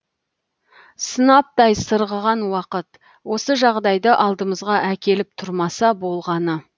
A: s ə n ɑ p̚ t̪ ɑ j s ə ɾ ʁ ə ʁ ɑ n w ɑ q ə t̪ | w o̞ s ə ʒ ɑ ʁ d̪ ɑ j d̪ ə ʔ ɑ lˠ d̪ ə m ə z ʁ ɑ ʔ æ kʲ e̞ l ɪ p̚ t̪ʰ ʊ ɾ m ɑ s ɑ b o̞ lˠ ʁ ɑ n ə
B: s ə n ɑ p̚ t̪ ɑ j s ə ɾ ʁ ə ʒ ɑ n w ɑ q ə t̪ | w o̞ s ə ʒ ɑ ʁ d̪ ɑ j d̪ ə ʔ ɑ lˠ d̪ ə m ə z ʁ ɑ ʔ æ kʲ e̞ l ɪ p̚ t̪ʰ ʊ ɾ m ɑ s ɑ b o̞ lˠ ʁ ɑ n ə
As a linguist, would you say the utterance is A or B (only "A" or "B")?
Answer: A